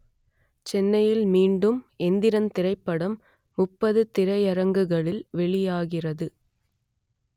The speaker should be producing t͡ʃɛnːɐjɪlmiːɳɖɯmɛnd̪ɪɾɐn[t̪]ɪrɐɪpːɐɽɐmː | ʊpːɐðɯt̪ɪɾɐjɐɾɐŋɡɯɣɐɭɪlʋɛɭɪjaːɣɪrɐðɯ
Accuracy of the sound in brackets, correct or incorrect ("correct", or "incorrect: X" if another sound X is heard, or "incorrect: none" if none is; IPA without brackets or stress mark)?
correct